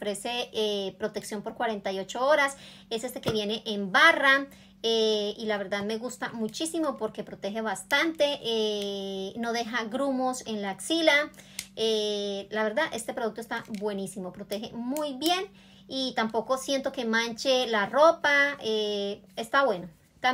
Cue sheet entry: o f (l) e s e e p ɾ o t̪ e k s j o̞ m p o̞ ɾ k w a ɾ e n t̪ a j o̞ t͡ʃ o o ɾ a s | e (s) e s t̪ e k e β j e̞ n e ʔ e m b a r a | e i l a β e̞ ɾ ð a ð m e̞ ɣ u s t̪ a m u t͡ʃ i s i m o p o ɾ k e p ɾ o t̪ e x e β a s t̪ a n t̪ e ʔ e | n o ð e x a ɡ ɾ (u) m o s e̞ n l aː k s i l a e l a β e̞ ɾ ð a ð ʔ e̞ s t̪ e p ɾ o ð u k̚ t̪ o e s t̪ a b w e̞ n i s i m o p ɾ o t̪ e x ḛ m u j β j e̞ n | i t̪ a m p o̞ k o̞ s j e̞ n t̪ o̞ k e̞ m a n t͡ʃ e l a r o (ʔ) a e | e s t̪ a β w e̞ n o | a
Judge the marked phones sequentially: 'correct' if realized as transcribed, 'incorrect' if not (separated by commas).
incorrect, correct, correct, incorrect